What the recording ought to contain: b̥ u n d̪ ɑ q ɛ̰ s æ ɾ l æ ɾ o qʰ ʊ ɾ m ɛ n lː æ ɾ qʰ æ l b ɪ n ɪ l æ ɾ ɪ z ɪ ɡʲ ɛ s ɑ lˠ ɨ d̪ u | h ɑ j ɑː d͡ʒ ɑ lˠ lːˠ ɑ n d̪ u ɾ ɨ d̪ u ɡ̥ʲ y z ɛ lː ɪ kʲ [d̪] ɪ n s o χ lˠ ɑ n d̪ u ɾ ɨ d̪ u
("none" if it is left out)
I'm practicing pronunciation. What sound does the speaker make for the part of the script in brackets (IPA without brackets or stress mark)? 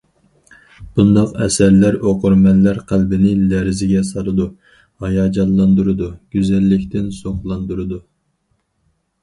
t̪